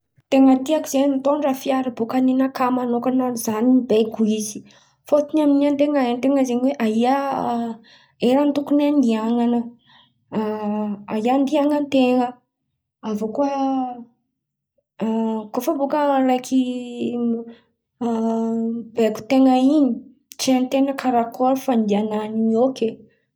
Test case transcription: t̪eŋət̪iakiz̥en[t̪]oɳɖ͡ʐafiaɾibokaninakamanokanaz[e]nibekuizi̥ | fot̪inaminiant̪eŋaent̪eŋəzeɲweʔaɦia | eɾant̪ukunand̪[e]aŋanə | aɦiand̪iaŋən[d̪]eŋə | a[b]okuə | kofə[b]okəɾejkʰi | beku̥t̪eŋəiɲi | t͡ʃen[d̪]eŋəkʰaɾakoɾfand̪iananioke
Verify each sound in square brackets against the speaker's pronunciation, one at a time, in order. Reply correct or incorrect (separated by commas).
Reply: correct, incorrect, incorrect, incorrect, incorrect, correct, incorrect